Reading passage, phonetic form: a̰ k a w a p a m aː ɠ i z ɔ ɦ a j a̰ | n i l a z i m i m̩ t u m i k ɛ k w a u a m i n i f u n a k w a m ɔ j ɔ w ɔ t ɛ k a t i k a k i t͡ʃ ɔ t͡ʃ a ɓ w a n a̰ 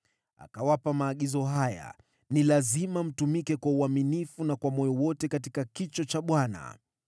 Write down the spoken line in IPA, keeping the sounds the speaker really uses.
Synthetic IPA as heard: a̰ k a w a p a m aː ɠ i z ɔ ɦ a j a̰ | n i l a z i m a m̩ t u m i k ɛ k w a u a m i n i f u n a k w a m ɔ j ɔ w ɔ t ɛ k a t i k a k i t͡ʃ ɔ t͡ʃ a ɓ w a n a̰